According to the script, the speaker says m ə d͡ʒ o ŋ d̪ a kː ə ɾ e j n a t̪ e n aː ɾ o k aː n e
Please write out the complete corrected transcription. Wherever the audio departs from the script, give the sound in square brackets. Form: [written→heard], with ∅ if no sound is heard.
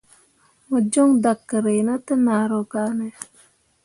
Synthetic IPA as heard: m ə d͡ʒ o ŋ d̪ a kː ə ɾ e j n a t̪ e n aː ɾ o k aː n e